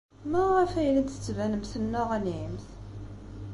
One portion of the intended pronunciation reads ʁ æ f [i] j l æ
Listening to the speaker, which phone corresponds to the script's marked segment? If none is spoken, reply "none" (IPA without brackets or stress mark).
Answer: æ